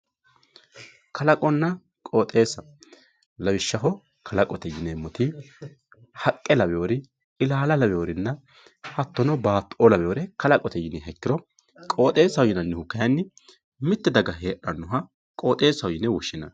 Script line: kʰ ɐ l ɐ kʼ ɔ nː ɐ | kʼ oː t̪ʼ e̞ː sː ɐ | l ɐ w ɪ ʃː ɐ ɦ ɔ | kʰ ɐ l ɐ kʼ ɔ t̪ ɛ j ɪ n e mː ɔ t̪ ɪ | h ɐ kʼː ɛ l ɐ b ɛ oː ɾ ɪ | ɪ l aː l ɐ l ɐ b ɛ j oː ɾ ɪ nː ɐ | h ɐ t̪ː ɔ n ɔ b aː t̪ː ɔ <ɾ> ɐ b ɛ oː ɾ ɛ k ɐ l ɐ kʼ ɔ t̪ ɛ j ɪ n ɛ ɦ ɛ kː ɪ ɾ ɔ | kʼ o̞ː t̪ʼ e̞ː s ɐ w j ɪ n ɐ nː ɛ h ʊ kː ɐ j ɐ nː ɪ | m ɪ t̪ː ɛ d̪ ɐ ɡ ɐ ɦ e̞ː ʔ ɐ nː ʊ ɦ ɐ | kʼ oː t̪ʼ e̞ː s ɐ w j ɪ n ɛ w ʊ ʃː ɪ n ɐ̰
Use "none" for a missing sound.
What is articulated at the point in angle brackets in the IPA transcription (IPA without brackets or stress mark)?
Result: l